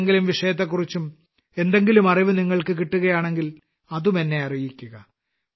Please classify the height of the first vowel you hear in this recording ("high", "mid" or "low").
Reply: high